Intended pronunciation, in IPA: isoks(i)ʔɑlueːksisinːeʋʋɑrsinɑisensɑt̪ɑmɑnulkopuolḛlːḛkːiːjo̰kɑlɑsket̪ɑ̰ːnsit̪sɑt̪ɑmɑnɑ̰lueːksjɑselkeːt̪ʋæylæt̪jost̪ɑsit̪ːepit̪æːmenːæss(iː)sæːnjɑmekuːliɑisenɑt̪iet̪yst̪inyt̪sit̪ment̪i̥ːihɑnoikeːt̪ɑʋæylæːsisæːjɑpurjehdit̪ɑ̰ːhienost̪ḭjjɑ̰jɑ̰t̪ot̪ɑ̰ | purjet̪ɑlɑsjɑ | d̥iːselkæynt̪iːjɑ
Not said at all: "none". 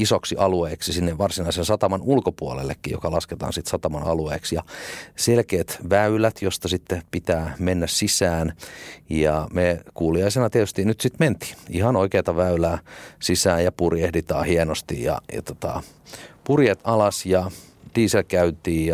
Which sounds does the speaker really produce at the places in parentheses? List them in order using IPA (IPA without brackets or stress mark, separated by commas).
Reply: i, i